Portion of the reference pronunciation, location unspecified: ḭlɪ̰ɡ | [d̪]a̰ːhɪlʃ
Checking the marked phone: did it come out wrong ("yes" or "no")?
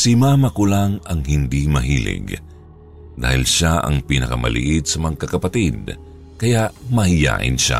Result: no